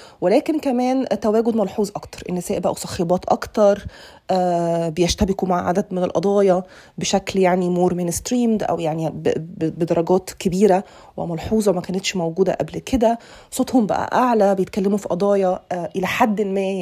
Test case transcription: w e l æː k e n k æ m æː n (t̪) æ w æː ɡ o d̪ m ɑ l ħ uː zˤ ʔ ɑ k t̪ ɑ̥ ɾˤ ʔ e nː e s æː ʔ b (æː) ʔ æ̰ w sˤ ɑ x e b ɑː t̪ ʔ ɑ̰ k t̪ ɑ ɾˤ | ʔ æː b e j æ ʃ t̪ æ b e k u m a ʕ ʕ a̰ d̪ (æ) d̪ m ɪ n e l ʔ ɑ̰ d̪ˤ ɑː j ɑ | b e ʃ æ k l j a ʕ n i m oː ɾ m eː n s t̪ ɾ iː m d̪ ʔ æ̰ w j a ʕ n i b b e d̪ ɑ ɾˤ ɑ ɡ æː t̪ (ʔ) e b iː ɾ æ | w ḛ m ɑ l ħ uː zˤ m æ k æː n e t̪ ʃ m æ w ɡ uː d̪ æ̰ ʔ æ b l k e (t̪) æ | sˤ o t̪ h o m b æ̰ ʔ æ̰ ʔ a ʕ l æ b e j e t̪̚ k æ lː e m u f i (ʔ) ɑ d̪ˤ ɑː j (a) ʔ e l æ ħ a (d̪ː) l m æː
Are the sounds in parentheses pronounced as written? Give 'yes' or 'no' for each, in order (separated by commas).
yes, no, yes, no, no, yes, no, yes